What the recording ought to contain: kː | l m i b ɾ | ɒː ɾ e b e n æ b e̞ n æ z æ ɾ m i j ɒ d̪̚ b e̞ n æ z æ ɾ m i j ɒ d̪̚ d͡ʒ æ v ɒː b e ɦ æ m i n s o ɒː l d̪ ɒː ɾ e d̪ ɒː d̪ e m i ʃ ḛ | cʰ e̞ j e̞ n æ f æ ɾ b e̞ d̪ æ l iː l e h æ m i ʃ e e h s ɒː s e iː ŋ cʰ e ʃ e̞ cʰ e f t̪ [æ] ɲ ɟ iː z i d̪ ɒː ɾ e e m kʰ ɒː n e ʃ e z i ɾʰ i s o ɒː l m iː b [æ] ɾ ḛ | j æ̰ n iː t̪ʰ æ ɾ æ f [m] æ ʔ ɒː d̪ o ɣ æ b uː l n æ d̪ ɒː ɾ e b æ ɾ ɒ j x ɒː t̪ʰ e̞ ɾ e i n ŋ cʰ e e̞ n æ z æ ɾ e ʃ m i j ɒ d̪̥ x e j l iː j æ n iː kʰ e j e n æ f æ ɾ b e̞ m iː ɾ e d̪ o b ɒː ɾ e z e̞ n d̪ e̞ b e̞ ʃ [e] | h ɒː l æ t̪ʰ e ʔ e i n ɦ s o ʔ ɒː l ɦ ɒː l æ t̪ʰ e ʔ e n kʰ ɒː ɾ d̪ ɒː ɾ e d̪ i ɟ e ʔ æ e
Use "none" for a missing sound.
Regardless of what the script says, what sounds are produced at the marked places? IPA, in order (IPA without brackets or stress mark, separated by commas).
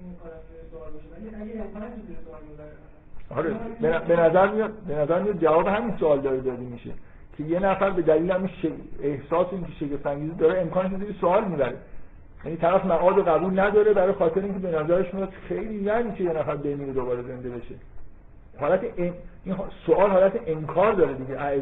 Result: æ, æ, m, e